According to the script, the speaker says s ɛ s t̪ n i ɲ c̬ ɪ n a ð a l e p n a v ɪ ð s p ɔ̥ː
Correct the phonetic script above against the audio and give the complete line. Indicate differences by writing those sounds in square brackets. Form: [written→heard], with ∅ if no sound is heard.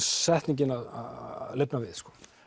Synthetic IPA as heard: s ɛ [s→h] t̪ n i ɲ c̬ ɪ n a ð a l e p n a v ɪ ð s [p→k] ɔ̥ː